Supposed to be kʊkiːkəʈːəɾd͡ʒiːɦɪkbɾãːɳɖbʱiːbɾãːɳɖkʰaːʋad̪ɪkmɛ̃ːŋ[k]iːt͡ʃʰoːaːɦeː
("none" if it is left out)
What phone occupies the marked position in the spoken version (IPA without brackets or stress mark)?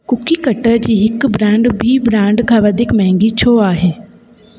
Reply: ɡ